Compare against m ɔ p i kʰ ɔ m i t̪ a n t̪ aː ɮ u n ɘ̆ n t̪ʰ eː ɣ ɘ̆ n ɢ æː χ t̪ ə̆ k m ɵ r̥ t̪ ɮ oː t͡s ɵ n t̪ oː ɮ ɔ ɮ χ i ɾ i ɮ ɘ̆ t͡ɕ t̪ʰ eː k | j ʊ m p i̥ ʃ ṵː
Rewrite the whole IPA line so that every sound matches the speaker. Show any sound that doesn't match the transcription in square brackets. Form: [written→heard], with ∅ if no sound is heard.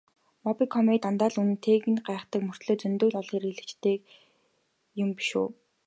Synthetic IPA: m ɔ p i kʰ ɔ m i t̪ a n t̪ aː ɮ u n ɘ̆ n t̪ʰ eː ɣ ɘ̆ n ɢ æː χ t̪ ə̆ k m ɵ r̥ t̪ ɮ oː t͡s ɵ n t̪ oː ɮ ɔ ɮ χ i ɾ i ɮ ɘ̆ t͡ɕ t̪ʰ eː k | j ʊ m p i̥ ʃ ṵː

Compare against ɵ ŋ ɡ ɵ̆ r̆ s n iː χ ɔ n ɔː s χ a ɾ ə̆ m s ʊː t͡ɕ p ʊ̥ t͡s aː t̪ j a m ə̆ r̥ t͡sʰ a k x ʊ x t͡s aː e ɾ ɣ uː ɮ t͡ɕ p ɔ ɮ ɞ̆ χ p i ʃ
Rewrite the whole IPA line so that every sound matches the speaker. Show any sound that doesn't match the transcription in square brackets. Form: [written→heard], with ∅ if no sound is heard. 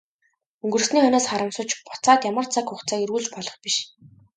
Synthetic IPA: ɵ ŋ ɡ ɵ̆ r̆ s n iː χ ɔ n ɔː s χ a ɾ ə̆ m s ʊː t͡ɕ p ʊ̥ t͡s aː t̪ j a m ə̆ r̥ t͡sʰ a k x ʊ [x→χ] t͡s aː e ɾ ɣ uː ɮ t͡ɕ p ɔ ɮ ɞ̆ χ p i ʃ

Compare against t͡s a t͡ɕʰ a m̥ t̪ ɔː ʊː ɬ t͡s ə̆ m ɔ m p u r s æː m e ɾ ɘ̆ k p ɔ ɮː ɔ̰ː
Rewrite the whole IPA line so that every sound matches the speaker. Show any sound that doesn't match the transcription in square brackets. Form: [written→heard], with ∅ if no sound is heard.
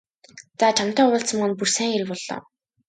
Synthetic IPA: t͡s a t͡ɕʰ a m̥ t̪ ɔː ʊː ɬ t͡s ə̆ m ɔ [m→n] p u r s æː [m→ŋ] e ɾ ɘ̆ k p ɔ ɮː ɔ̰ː

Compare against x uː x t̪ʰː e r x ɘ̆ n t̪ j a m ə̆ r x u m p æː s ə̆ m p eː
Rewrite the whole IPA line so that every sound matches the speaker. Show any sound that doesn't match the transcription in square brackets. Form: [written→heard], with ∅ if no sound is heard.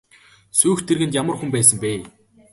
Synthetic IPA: [x→s] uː x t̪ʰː e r [x→ɣ] ɘ̆ n t̪ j a m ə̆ r x u m p æː s ə̆ m p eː

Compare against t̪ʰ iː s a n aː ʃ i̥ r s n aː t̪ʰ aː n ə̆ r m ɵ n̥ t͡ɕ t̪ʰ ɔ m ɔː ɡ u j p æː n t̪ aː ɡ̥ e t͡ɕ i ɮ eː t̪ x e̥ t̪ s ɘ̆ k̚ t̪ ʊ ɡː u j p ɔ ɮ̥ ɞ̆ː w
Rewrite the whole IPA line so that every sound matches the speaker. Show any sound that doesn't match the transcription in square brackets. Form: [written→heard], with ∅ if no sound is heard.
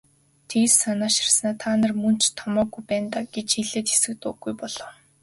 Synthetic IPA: t̪ʰ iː s a n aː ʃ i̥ r s n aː t̪ʰ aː n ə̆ r m ɵ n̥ t͡ɕ t̪ʰ ɔ m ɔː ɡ u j p æː n t̪ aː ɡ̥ e t͡ɕ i ɮ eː t̪ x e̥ [t̪→∅] s ɘ̆ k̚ t̪ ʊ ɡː u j p ɔ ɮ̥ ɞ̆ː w

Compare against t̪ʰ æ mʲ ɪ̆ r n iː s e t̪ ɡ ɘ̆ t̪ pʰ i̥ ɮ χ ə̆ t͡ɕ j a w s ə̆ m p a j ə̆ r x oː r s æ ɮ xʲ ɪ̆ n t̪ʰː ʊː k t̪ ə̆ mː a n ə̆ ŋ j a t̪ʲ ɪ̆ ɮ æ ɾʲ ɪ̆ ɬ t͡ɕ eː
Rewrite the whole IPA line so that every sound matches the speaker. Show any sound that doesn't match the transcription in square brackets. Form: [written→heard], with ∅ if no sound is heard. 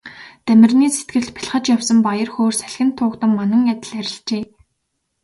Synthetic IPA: [t̪ʰ→t̪] æ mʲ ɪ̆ r n iː s e t̪ ɡ ɘ̆ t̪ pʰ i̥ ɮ χ ə̆ t͡ɕ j a w s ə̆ m p a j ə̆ r x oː r s æ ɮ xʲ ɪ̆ n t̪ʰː ʊː k t̪ ə̆ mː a n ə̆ ŋ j a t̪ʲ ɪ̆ ɮ æ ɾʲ ɪ̆ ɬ t͡ɕ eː

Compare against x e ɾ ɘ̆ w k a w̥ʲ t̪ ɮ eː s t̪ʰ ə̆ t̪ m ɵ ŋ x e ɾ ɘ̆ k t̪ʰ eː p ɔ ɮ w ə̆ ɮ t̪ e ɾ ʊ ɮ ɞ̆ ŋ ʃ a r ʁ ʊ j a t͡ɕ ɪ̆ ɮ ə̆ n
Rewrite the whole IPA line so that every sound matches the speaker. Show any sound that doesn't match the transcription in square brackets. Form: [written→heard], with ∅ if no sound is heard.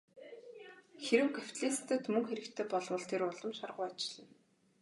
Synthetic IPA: x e ɾ ɘ̆ w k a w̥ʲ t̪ ɮ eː s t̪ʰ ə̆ t̪ m ɵ ŋ x e ɾ ɘ̆ k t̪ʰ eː p ɔ ɮ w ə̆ ɮ [t̪→t̪ʰ] e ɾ ʊ ɮ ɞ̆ [ŋ→m] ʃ a r ʁ ʊ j a t͡ɕ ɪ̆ ɮ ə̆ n

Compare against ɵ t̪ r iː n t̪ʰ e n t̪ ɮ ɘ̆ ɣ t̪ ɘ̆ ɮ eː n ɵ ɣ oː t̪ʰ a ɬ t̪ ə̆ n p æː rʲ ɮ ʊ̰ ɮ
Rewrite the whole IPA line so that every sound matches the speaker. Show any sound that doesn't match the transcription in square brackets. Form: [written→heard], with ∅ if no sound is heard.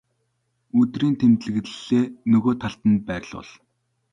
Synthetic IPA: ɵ t̪ r iː n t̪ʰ e [n→m] t̪ ɮ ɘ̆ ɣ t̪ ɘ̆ ɮ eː n ɵ ɣ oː t̪ʰ a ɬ t̪ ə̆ n p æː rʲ ɮ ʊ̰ ɮ

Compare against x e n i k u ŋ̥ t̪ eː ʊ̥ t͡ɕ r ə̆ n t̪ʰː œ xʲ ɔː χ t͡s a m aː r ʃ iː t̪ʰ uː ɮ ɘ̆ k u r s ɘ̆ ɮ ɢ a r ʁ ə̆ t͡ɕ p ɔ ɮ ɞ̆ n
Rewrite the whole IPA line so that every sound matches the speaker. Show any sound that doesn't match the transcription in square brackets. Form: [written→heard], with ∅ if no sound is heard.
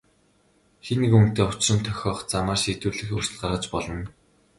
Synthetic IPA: x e n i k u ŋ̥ t̪ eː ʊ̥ t͡ɕ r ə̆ n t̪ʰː œ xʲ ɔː χ t͡s a m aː r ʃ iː [t̪ʰ→t̪] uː ɮ ɘ̆ [k→x] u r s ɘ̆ ɮ ɢ a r ʁ ə̆ t͡ɕ p ɔ ɮ ɞ̆ n

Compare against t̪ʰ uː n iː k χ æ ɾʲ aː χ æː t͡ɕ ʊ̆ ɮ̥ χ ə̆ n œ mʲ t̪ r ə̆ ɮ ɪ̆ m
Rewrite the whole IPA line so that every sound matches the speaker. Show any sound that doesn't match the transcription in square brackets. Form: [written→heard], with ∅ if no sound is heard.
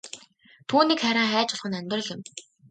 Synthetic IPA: t̪ʰ uː n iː k χ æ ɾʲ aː χ æː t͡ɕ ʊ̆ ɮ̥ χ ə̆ n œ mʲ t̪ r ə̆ ɮ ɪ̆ m

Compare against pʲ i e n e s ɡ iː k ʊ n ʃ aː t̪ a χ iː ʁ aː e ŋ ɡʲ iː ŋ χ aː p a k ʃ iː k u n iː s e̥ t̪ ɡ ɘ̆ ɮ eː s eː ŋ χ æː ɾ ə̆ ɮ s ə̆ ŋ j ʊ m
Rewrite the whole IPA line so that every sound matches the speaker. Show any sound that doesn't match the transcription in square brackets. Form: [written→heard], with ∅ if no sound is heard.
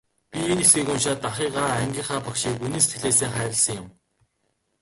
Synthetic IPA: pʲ i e n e s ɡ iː k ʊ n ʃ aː t̪ a χ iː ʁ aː [e→æ] ŋ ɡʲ iː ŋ χ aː p a k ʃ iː k u n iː s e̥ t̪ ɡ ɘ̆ ɮ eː s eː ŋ χ æː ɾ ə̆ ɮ s ə̆ ŋ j ʊ m

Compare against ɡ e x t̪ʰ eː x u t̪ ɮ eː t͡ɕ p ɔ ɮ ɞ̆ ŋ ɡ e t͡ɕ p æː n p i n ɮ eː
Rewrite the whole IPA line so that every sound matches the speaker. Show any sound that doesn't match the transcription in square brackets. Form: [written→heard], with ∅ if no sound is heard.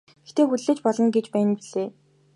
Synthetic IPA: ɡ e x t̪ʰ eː x u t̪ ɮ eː t͡ɕ p ɔ ɮ ɞ̆ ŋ ɡ e t͡ɕ p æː n p i [n→∅] ɮ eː

